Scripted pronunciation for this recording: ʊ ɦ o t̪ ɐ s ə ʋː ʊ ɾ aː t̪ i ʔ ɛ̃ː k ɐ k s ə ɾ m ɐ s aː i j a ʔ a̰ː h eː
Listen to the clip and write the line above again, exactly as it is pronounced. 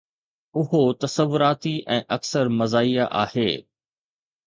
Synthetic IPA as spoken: ʊ ɦ o t̪ ɐ s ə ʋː ʊ ɾ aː t̪ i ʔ ɛ̃ː ʔ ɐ k s ə ɾ m ɐ z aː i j a ʔ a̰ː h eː